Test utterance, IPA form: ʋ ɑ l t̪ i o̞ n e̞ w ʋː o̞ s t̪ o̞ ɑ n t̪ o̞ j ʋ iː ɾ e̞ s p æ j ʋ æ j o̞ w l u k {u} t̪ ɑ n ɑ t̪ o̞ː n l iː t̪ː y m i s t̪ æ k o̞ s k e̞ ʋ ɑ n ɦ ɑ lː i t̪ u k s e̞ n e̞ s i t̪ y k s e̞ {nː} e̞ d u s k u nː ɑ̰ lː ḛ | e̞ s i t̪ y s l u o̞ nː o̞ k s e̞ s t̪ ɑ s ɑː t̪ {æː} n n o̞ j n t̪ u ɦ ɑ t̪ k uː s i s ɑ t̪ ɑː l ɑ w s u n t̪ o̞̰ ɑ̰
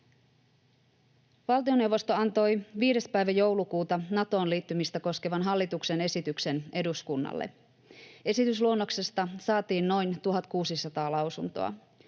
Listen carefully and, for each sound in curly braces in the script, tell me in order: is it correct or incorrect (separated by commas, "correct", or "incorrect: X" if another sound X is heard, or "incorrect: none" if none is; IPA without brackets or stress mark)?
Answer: incorrect: uː, incorrect: n, incorrect: iː